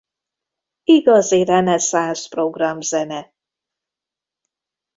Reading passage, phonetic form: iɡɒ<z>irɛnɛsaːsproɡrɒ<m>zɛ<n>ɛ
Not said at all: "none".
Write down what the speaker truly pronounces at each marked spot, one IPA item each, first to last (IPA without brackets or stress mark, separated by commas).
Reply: z, m, n